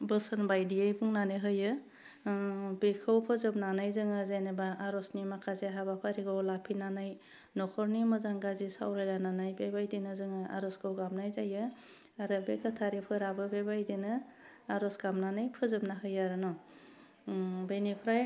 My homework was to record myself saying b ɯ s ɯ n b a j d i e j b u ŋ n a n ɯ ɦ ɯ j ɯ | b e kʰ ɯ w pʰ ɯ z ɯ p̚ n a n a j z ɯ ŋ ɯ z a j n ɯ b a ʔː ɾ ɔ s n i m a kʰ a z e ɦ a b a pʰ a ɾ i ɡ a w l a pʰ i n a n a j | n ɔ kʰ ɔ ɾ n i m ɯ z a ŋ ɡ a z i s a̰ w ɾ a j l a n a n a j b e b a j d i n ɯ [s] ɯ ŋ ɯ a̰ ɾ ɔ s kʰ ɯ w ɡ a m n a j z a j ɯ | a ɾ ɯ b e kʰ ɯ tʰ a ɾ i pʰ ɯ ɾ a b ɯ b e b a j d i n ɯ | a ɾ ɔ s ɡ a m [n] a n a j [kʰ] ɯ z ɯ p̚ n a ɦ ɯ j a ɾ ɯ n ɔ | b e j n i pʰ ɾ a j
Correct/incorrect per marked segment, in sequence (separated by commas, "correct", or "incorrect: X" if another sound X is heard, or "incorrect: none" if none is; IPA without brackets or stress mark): incorrect: z, correct, incorrect: pʰ